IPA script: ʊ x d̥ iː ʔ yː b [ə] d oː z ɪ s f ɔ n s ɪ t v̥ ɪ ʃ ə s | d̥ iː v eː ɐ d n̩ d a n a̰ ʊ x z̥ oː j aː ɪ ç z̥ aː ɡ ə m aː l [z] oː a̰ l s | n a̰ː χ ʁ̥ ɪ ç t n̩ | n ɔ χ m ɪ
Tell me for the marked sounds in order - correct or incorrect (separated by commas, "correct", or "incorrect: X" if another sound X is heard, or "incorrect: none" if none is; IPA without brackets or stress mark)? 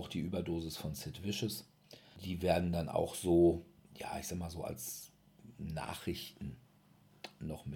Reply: incorrect: ɐ, correct